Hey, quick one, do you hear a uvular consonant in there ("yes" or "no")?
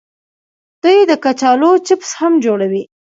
no